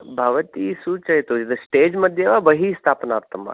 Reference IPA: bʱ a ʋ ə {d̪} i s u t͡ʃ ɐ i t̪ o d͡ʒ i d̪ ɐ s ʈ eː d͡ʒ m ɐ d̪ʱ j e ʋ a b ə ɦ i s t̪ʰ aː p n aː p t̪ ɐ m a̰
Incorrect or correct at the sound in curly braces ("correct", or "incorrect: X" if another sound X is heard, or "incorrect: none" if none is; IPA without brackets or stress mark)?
incorrect: t̪